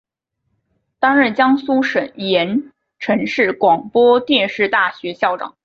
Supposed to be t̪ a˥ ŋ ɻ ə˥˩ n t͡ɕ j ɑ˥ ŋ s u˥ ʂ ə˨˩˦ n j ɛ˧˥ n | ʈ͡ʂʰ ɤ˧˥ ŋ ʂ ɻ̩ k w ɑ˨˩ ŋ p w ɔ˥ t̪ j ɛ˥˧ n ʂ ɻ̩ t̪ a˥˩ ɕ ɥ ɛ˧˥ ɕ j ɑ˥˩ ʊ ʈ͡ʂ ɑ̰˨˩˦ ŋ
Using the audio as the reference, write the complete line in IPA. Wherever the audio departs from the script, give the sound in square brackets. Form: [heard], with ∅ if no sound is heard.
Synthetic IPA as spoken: t̪ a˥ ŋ ɻ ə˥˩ n t͡ɕ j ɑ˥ ŋ s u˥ ʂ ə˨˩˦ n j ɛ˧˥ n | ʈ͡ʂʰ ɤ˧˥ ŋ ʂ ɻ̩ k w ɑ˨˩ ŋ p w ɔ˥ t̪ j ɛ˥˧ n ʂ ɻ̩ t̪ a˥˩ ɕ ɥ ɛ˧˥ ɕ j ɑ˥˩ ʊ ʈ͡ʂ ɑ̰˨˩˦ ŋ